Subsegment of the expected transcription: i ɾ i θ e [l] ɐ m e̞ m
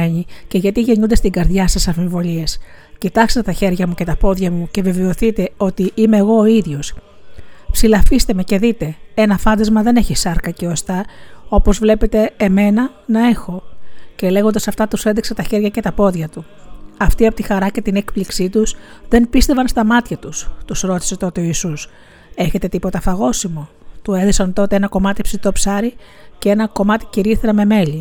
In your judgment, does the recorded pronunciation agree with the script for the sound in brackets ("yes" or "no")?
no